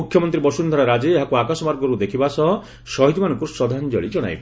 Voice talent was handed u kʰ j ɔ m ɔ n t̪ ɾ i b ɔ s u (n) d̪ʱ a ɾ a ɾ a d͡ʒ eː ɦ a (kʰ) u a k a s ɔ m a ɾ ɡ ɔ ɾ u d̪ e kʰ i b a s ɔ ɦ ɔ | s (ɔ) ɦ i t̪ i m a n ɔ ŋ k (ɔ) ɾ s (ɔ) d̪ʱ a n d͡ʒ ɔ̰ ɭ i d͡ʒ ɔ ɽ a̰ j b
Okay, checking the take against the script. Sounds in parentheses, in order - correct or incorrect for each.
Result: correct, incorrect: k, correct, incorrect: u, correct

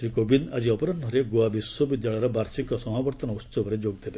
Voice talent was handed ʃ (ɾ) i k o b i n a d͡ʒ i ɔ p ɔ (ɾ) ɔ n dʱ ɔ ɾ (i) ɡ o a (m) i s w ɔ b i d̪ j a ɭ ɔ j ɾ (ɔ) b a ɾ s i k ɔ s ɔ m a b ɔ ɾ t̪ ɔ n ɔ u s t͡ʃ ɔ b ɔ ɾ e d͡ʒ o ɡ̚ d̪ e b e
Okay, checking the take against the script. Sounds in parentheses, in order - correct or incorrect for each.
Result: correct, correct, incorrect: e, incorrect: b, correct

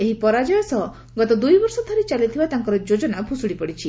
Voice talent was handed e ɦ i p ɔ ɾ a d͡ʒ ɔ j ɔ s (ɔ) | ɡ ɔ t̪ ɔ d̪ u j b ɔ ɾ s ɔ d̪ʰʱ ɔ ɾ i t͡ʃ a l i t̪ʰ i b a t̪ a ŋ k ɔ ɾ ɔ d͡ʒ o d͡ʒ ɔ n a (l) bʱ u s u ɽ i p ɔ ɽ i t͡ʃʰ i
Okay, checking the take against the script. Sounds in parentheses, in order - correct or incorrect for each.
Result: correct, incorrect: none

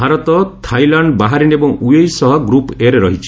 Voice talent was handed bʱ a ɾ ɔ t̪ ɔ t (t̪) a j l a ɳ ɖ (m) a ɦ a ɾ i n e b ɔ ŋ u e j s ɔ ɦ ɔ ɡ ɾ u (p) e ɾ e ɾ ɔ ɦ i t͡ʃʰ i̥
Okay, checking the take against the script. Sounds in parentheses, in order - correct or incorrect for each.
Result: incorrect: t̪ʰ, incorrect: b, correct

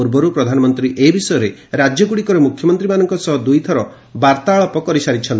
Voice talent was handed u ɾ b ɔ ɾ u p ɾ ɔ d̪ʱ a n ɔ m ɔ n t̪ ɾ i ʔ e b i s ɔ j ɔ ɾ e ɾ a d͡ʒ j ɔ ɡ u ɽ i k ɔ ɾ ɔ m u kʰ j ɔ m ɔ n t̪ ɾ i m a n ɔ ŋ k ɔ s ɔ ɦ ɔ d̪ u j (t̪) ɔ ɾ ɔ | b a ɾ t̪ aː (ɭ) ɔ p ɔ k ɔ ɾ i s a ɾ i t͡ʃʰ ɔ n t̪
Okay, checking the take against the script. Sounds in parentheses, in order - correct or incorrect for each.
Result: incorrect: t̪ʰ, correct

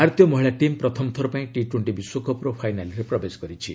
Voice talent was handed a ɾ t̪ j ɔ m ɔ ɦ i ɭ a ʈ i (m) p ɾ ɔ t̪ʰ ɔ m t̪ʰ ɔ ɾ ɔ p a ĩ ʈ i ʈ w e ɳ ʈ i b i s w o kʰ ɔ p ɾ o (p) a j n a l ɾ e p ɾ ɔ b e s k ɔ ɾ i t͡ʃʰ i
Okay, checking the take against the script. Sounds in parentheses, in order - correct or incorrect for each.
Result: correct, incorrect: pʰ

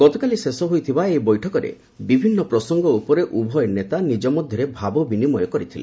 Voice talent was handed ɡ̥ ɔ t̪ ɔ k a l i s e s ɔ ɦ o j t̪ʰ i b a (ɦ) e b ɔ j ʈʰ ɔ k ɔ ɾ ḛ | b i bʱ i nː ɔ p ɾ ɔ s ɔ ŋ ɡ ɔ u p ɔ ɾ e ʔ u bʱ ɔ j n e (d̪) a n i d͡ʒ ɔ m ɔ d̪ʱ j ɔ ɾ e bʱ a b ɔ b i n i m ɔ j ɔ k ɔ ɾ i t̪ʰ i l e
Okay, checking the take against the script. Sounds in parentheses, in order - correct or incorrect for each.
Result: incorrect: none, incorrect: t̪

